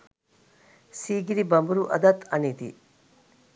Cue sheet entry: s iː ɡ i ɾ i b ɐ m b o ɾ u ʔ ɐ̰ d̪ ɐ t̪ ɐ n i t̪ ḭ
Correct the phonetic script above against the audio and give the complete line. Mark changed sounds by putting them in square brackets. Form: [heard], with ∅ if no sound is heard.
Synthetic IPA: s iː ɡ i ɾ i b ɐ m b [u] ɾ u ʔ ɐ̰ d̪ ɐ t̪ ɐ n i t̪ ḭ